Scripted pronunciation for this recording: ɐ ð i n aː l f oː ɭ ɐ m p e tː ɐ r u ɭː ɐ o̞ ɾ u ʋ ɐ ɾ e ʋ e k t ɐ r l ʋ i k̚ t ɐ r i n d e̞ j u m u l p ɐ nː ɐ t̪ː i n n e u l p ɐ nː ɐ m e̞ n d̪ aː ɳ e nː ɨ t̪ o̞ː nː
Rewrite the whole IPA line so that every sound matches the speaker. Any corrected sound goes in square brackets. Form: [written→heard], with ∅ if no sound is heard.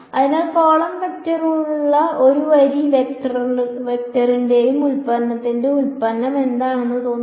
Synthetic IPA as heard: ɐ ð i n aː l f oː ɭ ɐ m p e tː ɐ r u ɭː ɐ o̞ ɾ u ʋ ɐ ɾ [e→i] ʋ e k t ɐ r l ʋ [i→e] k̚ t ɐ r i n d e̞ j u m u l p ɐ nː ɐ t̪ː i n [n→d] e u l p ɐ nː ɐ m e̞ n d̪ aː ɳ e nː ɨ t̪ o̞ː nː